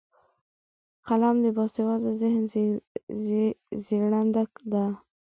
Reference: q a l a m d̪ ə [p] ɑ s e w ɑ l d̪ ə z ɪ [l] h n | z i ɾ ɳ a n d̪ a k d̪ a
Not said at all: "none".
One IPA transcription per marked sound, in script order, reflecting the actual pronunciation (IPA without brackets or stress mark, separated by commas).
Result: b, none